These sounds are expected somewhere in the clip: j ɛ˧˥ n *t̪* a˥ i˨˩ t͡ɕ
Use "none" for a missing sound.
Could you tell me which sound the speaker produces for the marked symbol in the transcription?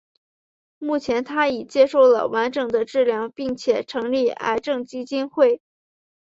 t̪ʰ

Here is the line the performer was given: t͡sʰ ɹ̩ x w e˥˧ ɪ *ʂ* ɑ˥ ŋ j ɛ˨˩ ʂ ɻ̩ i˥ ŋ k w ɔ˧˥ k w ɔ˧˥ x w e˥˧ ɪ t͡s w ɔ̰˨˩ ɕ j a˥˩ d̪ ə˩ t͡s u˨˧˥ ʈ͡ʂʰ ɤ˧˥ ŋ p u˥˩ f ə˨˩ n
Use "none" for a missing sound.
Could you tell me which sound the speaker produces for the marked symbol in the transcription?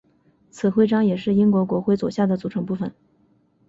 ʈ͡ʂ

